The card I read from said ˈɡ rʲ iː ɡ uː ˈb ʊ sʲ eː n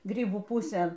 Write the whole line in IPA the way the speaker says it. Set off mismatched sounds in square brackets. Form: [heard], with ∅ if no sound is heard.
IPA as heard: ˈɡ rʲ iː [b] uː [ˈp] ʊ sʲ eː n